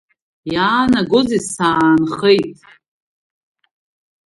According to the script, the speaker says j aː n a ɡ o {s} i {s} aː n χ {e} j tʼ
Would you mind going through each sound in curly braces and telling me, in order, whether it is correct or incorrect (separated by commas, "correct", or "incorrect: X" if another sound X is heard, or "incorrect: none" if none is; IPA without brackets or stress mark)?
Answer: incorrect: z, correct, correct